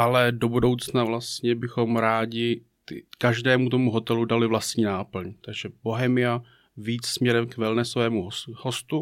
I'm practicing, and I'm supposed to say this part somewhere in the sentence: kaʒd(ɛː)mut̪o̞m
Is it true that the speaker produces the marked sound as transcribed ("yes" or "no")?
yes